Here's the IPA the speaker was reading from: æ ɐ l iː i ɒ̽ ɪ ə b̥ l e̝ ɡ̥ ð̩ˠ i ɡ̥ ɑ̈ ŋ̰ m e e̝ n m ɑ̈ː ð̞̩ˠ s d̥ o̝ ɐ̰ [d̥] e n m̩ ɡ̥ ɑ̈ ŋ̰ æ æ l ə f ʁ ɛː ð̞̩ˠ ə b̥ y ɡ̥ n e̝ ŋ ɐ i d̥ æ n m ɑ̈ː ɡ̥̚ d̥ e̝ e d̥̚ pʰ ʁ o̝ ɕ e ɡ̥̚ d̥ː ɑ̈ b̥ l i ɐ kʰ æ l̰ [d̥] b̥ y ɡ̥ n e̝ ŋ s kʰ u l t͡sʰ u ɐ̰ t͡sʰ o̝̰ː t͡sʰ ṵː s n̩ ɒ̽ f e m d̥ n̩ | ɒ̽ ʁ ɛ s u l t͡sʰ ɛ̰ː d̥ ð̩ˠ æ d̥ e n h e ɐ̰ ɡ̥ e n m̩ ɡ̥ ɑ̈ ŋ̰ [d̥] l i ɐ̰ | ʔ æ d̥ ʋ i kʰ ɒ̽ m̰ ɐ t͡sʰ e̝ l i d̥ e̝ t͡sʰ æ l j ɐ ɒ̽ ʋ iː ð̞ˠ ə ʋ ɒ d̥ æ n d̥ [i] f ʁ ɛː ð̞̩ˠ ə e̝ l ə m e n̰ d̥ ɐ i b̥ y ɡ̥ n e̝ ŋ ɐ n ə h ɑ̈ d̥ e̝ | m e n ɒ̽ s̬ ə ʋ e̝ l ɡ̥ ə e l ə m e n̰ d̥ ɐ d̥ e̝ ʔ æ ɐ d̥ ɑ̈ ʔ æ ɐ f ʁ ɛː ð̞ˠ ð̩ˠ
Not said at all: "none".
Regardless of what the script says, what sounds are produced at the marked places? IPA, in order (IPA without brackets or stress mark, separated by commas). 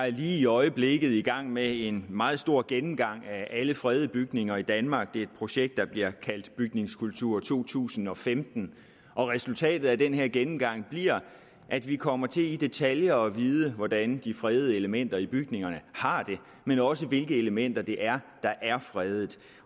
ɡ̥, d̥, b̥, i